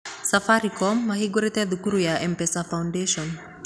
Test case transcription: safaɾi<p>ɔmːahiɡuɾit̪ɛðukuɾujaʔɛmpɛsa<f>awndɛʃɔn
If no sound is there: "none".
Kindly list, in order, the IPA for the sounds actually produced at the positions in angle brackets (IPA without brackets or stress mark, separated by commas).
k, f